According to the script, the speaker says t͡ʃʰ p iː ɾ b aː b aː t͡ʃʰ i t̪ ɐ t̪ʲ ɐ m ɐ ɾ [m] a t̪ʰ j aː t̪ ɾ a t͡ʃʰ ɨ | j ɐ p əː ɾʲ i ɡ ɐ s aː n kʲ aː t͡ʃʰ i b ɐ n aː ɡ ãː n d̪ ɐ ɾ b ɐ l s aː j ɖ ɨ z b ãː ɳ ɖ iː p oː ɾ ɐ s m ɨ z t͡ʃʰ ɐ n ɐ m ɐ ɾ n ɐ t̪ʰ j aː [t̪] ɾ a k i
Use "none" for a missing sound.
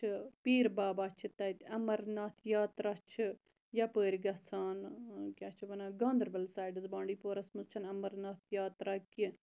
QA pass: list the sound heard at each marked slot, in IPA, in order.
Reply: n, t̪

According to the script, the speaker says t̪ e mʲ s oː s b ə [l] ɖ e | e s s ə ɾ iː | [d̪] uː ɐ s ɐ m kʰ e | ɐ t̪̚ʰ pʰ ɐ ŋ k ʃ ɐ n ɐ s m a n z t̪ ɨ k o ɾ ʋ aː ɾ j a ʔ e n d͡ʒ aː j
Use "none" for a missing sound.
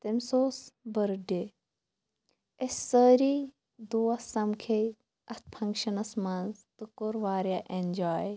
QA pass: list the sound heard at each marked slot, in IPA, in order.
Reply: ɾ, d̪

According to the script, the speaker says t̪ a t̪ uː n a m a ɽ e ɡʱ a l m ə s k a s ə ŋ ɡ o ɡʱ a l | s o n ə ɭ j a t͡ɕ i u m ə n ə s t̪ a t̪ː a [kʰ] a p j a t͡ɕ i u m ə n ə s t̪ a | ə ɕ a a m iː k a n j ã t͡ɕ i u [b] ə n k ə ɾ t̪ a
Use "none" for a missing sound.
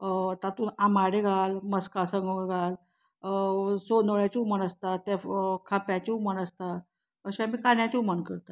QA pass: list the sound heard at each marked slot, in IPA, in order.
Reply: kʰ, m

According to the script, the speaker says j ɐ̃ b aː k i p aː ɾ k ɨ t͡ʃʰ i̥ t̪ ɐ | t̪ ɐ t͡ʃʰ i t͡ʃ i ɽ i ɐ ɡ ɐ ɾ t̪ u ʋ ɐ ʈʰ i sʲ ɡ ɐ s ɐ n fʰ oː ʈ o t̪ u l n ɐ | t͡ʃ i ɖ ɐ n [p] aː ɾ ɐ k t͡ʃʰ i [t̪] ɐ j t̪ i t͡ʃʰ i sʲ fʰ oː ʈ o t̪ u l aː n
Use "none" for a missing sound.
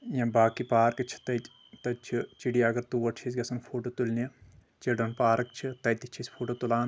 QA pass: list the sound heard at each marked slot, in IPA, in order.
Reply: p, t̪

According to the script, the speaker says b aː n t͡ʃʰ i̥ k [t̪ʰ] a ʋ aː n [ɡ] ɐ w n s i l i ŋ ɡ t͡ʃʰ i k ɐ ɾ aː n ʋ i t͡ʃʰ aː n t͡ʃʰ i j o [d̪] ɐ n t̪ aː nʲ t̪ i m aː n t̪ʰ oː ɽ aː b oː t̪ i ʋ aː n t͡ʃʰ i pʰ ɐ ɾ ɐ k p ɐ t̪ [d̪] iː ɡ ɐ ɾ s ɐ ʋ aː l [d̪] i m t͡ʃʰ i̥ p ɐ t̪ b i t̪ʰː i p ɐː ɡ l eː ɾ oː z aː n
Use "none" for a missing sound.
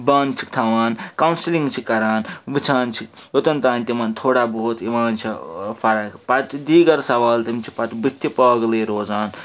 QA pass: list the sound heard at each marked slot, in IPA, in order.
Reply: t̪ʰ, k, t̪, d̪, t̪

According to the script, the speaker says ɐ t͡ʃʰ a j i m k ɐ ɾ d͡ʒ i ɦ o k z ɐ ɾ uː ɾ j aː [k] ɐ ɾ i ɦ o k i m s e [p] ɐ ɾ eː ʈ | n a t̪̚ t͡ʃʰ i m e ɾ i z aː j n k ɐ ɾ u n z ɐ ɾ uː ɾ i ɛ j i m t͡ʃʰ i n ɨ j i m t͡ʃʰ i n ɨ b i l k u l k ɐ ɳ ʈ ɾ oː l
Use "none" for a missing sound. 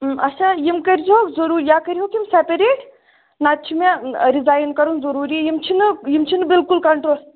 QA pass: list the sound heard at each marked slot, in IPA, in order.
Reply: k, p

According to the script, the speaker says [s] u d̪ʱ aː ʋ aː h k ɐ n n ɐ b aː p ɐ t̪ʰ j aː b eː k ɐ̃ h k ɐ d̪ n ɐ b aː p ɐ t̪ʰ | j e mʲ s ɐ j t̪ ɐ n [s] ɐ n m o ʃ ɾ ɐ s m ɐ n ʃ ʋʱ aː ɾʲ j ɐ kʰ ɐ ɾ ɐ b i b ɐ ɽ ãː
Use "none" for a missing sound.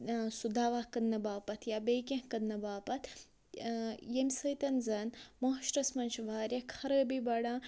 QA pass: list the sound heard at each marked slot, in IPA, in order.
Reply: s, z

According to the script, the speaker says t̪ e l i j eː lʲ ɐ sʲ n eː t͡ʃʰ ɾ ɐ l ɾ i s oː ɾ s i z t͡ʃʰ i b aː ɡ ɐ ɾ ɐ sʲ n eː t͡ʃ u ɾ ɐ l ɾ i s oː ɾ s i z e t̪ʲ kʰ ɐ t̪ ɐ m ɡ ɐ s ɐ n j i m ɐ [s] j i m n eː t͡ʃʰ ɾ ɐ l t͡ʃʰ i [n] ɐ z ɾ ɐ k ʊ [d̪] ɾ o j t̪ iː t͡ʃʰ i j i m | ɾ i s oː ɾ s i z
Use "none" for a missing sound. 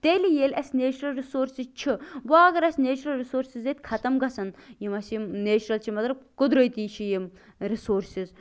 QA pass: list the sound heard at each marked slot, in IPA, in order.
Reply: s, m, d̪

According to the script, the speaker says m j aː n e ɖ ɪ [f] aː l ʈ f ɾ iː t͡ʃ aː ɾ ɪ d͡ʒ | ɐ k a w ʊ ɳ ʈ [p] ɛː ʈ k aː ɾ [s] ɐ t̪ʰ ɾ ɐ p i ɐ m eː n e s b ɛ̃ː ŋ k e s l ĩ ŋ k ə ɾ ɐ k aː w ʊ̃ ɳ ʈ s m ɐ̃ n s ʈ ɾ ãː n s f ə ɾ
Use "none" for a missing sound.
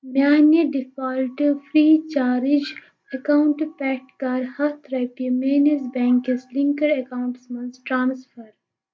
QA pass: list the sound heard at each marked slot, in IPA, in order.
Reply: f, p, h

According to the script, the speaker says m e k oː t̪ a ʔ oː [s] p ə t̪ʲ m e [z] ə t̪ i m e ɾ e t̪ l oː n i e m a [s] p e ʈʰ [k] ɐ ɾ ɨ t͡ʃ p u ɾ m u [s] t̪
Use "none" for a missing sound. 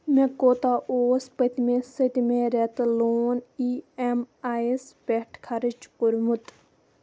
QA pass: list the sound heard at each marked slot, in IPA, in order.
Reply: s, s, s, kʰ, none

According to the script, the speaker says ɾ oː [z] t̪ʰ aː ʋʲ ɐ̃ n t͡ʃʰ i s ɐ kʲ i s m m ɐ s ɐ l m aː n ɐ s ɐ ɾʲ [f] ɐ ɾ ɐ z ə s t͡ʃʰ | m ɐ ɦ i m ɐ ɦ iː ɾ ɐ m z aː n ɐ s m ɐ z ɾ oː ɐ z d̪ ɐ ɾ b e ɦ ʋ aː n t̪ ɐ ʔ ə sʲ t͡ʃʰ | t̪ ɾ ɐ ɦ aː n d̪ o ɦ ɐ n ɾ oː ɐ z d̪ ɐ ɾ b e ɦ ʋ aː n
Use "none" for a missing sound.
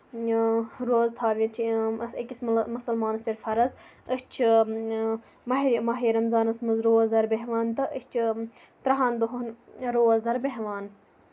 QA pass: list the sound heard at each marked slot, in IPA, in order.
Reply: z, f

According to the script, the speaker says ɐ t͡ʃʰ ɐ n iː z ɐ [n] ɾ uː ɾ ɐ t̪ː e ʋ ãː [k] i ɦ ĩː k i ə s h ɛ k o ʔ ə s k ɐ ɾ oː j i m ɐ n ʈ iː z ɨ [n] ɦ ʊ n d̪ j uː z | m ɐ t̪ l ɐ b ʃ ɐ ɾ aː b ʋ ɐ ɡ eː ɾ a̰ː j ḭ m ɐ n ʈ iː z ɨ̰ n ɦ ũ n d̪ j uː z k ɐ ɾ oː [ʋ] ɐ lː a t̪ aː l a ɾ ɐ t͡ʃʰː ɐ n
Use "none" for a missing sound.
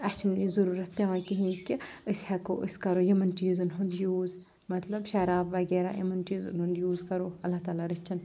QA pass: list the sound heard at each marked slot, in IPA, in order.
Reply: none, k, n, none

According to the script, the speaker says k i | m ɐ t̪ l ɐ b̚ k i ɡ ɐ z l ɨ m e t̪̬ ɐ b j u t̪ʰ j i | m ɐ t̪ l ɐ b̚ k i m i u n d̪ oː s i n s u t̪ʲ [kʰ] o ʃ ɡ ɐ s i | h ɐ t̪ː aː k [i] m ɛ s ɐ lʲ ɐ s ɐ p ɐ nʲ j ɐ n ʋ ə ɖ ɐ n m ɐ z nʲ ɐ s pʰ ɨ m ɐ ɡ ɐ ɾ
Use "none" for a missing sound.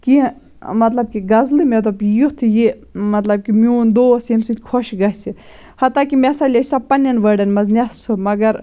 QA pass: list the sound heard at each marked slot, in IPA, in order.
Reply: kʰ, i

